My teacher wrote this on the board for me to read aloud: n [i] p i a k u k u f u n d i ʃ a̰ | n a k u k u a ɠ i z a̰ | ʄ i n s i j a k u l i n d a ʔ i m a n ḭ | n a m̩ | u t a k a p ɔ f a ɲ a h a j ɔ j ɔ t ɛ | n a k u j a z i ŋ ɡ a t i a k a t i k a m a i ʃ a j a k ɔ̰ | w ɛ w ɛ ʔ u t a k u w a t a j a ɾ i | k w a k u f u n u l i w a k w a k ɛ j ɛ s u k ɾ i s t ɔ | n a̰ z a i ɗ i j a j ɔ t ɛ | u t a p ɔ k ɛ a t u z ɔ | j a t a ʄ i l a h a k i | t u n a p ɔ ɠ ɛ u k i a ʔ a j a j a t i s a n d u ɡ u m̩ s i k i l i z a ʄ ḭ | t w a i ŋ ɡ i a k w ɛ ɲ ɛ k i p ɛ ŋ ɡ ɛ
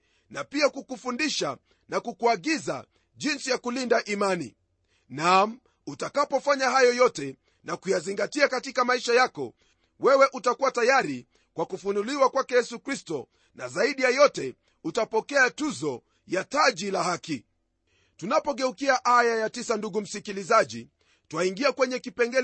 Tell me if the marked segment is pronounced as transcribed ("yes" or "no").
no